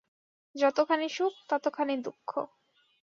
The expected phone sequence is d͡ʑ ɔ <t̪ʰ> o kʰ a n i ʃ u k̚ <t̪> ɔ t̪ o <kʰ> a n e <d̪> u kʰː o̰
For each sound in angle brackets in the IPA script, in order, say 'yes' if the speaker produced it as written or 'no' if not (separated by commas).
no, yes, yes, yes